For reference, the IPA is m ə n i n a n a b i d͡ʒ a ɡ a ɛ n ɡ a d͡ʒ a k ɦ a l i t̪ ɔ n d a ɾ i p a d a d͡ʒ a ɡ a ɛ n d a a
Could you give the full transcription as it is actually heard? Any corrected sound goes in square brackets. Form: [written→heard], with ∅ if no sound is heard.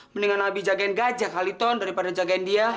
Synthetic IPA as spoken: m ə n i [n→ŋ] a n a b i d͡ʒ a ɡ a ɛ n ɡ a d͡ʒ a k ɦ a l i t̪ ɔ n d a ɾ i p a d a d͡ʒ a ɡ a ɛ n d [a→i] a

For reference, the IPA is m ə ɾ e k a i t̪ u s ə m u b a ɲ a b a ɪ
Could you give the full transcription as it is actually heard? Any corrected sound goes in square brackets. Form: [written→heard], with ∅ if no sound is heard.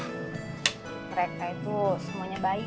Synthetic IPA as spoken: m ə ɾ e k a i t̪ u s ə m u [b→∅] a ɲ a b a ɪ

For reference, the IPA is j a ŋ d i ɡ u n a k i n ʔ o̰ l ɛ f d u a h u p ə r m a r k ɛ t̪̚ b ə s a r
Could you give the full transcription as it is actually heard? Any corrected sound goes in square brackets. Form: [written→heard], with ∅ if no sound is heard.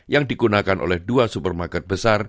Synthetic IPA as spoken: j a ŋ d i ɡ u n a k [i→a] n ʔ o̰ l ɛ [f→h] d u a [h→s] u p ə r m a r k ɛ t̪̚ b ə s a r

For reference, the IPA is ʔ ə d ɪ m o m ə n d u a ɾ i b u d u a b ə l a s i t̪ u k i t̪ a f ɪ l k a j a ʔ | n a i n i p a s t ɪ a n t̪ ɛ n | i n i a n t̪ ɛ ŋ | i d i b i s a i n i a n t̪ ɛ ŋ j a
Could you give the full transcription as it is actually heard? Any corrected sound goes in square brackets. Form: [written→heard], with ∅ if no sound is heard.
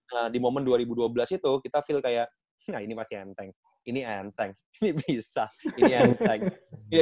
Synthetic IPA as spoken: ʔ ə d [ɪ→i] m o m ə n d u a ɾ i b u d u a b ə l a s i t̪ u k i t̪ a f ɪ l k a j a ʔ | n a i n i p a s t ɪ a n t̪ ɛ [n→ŋ] | i n i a n t̪ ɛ ŋ | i [d→n] i b i s a i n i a n t̪ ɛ ŋ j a

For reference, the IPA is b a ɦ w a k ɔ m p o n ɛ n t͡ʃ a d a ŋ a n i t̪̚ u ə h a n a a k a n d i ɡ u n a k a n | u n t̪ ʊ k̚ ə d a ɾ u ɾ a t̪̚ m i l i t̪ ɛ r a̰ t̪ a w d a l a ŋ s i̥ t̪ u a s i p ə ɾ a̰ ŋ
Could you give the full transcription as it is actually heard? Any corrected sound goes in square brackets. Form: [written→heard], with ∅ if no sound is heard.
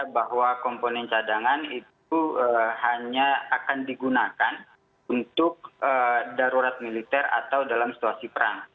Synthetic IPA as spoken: b a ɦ w a k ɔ m p o n ɛ n t͡ʃ a d a ŋ a n i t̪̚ u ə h a [n→ɲ] a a k a n d i ɡ u n a k a n | u n t̪ ʊ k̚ ə d a ɾ u ɾ a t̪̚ m i l i t̪ ɛ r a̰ t̪ a w d a l a [ŋ→m] s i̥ t̪ u a s i p ə ɾ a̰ ŋ

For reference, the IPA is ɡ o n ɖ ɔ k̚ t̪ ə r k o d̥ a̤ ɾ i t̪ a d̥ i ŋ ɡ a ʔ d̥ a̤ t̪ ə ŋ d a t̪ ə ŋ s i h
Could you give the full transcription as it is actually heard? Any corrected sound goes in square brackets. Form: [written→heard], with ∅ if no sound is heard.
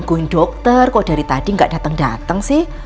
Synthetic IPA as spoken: ɡ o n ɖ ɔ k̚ t̪ ə r k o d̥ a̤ ɾ i t̪ a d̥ i ŋ ɡ a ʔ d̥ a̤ t̪ ə ŋ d a t̪ ə ŋ s [i→ɪ] h

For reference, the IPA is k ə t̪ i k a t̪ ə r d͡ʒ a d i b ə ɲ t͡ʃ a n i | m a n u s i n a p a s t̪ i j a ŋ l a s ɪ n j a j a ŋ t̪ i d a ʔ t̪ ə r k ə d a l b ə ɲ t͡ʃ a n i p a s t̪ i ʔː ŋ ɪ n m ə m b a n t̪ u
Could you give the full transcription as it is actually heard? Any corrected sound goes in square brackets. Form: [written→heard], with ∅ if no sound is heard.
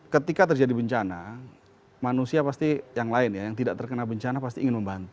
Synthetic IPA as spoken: k ə t̪ i k a t̪ ə r d͡ʒ a d i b ə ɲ t͡ʃ a n [i→a] | m a n u s i [n→∅] a p a s t̪ i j a ŋ l a [s→∅] ɪ n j a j a ŋ t̪ i d a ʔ t̪ ə r k ə [d→n] a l b ə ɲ t͡ʃ a n [i→a] p a s t̪ i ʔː ŋ ɪ n m ə m b a n t̪ u

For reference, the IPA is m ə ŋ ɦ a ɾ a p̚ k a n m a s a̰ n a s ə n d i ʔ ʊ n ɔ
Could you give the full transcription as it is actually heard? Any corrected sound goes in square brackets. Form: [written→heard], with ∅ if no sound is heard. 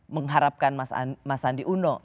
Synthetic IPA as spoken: m ə ŋ ɦ a ɾ a p̚ k a n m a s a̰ [n→m] a s [ə→a] n d i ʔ [ʊ→u] n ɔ

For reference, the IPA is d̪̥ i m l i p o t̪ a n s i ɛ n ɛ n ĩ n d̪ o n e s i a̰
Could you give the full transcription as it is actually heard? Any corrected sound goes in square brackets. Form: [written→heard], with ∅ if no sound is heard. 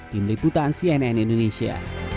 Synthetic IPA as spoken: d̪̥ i m l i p [o→u] t̪ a n s i ɛ n ɛ n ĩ n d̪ o n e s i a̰

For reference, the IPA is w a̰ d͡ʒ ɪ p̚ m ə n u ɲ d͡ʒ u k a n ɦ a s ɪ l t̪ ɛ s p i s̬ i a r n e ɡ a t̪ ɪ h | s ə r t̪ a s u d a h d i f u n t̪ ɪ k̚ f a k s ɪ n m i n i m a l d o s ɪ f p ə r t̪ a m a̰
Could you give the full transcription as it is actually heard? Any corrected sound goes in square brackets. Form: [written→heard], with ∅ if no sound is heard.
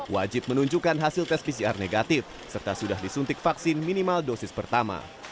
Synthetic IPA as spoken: w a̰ d͡ʒ ɪ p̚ m ə n u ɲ d͡ʒ u k a n ɦ a s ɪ l t̪ ɛ s p i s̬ i a r n e ɡ a t̪ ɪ [h→f] | s ə r t̪ a s u d a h d i [f→s] u n t̪ ɪ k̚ f a k s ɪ n m i n i m a l d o s ɪ [f→s] p ə r t̪ a m a̰

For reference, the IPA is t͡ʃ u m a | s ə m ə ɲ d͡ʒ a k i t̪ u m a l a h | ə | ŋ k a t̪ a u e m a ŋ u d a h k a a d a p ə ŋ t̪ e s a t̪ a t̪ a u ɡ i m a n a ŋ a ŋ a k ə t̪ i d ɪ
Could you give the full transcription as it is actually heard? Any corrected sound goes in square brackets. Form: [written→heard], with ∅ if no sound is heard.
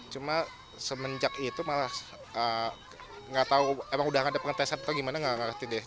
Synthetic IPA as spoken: t͡ʃ u m a | s ə m ə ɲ d͡ʒ a k i t̪ u m a l a h | ə | ŋ [k→ɡ] a t̪ a u e m a ŋ u d a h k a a d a p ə ŋ t̪ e s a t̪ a t̪ a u ɡ i m a n a ŋ a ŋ a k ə t̪ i d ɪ

